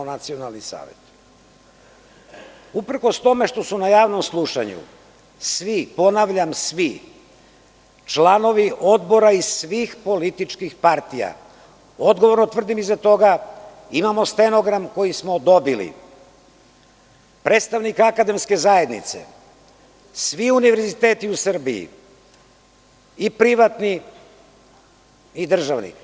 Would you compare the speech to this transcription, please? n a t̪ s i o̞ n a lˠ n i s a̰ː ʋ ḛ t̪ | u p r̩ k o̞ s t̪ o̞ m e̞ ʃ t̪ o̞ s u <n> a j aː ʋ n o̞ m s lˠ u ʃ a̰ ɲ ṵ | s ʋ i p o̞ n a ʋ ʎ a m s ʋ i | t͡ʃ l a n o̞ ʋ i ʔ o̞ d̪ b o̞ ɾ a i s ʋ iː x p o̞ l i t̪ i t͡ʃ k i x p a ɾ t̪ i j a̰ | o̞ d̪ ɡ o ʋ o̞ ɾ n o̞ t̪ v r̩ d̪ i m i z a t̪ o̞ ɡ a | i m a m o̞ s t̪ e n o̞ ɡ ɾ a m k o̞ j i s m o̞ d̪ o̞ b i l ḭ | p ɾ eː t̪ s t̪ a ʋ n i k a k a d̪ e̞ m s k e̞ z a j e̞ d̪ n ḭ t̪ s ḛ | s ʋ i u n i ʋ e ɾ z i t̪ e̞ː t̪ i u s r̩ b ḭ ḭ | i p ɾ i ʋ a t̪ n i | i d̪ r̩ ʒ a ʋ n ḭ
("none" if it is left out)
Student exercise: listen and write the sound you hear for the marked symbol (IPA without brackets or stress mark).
n